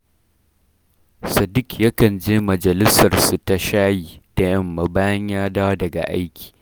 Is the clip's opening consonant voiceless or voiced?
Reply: voiceless